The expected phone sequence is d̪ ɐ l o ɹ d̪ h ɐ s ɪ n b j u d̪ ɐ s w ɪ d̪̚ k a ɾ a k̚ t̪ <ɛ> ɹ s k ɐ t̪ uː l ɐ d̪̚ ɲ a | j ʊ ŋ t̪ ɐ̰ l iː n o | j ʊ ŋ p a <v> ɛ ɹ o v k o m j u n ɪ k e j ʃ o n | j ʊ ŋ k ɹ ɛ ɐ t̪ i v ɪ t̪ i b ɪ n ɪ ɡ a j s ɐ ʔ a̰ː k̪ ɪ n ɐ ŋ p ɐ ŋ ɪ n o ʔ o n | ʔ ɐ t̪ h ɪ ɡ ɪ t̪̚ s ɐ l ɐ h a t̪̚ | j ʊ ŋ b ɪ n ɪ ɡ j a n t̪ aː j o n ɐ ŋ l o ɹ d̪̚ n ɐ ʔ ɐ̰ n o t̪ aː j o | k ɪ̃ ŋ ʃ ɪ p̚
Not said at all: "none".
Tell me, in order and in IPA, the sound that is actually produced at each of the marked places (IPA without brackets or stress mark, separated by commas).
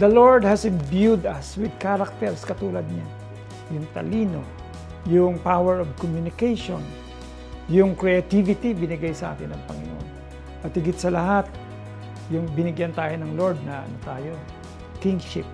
ɛ, w